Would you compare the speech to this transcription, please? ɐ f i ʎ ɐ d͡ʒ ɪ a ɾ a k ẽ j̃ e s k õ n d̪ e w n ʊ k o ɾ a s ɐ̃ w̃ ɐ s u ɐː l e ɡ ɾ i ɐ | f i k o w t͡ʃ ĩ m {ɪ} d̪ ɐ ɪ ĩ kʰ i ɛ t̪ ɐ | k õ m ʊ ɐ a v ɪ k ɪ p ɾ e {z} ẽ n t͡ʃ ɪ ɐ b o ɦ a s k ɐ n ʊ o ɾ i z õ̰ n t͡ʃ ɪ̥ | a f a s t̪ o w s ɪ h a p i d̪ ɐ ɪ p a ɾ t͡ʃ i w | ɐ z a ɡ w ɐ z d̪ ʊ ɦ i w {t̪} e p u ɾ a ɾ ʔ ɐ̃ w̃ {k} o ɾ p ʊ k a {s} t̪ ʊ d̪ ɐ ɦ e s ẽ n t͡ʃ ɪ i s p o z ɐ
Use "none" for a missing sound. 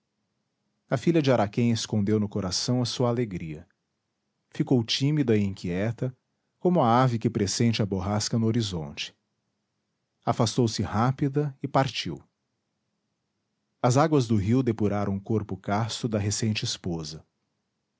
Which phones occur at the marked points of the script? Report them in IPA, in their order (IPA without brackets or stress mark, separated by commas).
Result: i, s, d̪, k, s